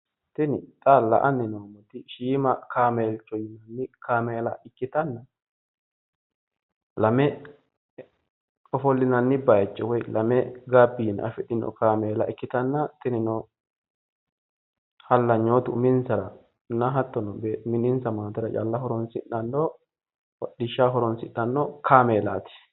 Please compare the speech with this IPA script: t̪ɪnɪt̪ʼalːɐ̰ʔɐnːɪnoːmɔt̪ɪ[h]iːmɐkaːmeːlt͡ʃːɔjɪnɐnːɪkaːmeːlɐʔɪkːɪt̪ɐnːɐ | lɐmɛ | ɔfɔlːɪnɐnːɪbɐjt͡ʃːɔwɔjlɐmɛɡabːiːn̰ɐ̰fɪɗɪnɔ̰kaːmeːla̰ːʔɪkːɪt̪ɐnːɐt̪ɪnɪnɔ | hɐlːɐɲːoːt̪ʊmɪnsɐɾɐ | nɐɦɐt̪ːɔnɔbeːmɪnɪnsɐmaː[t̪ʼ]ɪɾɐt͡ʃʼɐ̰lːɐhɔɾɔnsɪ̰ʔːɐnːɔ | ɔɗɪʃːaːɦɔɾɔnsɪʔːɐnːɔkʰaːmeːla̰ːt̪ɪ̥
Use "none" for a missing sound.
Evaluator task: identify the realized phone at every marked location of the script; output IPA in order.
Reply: ʃ, t̪

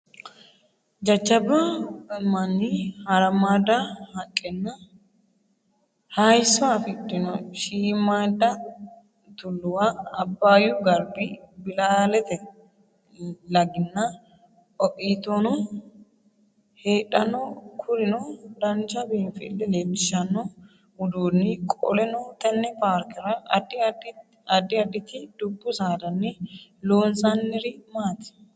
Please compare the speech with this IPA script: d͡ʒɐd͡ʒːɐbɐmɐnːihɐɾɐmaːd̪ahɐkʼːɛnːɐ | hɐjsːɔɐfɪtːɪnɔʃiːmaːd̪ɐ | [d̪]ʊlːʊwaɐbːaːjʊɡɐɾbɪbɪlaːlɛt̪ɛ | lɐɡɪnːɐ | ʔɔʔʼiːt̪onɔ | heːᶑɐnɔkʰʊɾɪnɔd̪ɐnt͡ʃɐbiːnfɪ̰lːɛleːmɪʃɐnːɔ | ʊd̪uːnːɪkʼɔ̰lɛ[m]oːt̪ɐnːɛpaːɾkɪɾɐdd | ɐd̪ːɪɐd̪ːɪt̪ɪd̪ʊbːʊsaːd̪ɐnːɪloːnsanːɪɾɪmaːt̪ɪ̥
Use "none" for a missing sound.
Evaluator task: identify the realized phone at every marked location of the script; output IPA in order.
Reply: t̪, n

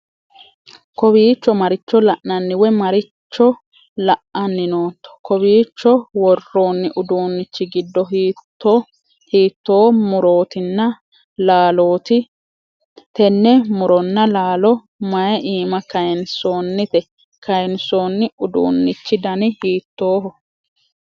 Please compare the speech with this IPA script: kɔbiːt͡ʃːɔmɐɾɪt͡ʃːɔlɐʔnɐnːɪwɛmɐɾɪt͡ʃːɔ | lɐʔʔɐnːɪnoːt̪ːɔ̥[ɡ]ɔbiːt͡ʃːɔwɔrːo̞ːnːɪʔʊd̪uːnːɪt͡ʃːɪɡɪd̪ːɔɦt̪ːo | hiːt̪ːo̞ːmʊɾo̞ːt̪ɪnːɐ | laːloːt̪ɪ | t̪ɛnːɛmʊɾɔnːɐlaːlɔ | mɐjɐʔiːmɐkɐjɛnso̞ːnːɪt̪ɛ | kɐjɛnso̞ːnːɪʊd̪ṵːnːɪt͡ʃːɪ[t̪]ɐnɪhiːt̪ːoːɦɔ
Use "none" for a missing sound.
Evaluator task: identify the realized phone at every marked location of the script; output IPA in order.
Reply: k, d̪

